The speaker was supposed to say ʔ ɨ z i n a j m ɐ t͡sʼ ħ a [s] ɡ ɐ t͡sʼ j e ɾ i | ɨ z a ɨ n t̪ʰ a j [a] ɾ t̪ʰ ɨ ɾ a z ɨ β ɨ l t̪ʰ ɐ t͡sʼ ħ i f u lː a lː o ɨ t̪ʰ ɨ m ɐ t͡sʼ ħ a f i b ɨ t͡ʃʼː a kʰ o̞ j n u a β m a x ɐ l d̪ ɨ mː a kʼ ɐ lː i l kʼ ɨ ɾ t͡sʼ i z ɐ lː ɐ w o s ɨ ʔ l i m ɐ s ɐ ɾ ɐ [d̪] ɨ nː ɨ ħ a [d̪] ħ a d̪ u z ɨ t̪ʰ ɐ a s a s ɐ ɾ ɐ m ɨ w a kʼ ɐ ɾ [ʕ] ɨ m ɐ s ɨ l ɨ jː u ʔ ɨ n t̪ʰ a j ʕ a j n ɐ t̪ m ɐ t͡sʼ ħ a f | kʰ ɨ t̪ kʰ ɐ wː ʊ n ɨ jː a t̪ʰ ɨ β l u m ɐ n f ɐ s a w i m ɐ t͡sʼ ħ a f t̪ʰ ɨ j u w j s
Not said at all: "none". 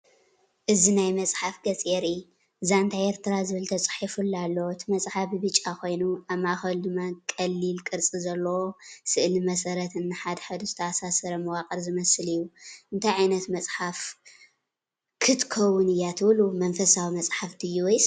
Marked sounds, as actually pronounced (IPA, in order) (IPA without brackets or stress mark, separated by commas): f, e, t̪, d̪, z